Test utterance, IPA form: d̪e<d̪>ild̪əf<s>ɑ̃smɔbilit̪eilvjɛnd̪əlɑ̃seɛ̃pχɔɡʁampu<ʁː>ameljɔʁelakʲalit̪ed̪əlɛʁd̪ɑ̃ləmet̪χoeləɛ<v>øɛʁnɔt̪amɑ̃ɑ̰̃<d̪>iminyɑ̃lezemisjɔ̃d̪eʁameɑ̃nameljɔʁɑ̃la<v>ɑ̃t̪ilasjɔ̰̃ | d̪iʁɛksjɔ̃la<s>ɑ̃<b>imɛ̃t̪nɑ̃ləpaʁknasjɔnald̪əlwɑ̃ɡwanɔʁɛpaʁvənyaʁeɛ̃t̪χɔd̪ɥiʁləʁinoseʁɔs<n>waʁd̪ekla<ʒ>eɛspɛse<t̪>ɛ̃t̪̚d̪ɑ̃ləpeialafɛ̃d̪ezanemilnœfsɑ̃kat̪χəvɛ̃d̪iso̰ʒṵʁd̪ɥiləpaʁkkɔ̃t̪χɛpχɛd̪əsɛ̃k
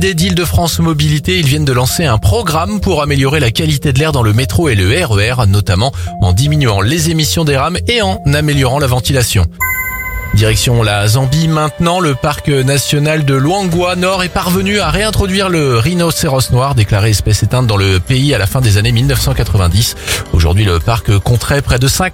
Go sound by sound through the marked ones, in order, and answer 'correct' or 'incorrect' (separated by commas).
correct, incorrect, incorrect, incorrect, correct, correct, incorrect, correct, correct, incorrect, correct